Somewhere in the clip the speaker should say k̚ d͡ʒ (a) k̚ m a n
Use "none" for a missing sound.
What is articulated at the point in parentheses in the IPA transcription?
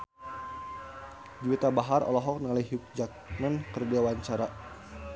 a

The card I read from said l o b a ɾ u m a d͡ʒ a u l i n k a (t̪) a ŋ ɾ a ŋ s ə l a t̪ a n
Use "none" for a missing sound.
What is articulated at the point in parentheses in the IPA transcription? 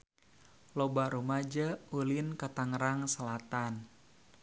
t̪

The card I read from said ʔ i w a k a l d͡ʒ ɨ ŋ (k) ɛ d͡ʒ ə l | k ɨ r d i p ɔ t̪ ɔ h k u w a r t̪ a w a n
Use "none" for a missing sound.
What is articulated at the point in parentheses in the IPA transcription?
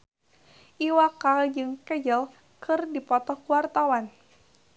k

